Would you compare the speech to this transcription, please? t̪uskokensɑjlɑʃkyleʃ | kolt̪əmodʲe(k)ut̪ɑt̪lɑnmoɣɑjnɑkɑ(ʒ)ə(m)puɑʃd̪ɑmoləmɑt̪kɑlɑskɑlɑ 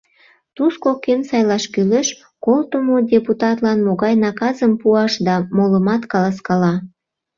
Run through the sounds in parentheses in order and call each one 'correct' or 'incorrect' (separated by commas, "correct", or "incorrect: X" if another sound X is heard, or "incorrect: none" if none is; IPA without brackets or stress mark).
incorrect: p, incorrect: z, correct